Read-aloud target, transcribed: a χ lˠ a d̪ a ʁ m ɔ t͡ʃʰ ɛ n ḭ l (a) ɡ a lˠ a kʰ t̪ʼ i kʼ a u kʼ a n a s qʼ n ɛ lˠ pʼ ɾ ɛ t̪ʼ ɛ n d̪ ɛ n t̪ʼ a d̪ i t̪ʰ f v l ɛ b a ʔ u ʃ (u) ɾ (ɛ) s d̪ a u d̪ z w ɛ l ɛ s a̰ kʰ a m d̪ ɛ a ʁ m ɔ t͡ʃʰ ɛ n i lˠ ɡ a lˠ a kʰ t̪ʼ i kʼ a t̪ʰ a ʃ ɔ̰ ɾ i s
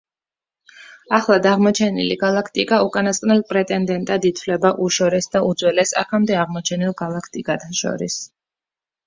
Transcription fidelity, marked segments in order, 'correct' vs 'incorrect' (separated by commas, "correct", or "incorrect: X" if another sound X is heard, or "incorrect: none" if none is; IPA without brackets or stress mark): incorrect: i, incorrect: ɔ, correct